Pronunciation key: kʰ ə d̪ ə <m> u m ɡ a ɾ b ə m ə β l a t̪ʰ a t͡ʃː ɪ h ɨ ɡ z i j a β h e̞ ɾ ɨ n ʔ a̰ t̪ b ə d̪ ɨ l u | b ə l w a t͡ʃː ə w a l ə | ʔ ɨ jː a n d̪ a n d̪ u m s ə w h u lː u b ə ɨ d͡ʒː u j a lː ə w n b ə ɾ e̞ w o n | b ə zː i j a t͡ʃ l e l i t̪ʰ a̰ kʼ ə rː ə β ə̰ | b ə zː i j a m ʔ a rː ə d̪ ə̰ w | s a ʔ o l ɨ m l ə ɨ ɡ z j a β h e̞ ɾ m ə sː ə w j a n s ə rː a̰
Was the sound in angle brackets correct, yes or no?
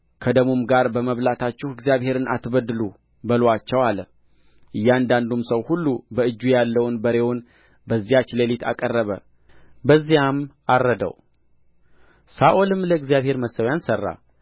yes